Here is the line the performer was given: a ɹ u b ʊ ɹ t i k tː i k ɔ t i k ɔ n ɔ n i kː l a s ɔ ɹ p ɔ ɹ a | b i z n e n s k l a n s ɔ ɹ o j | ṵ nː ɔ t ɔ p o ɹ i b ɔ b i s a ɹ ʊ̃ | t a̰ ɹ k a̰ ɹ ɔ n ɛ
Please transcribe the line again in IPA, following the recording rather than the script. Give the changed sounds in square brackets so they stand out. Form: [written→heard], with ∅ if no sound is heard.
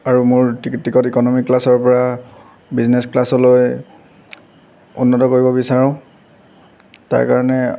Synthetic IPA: a ɹ u [b→m] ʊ ɹ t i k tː i k ɔ t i k ɔ n ɔ [n→m] i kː l a s ɔ ɹ p ɔ ɹ a | b i z n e [n→∅] s k l a [n→∅] s ɔ [ɹ→l] o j | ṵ nː ɔ t ɔ [p→k] o ɹ i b ɔ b i s a ɹ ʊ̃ | t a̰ ɹ k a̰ ɹ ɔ n ɛ